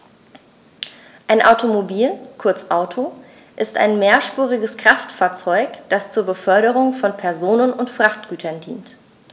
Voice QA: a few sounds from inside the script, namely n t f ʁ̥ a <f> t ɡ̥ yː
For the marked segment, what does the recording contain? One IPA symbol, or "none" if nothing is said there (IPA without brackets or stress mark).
χ